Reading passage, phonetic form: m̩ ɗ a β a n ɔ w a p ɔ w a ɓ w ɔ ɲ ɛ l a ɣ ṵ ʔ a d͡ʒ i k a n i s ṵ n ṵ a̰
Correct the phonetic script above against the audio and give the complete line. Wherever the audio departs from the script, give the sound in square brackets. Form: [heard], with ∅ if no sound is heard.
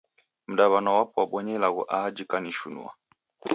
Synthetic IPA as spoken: m̩ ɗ a β a n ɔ w a p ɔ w a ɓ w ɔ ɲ ɛ l a ɣ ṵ ʔ a d͡ʒ i k a n i [ʃ] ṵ n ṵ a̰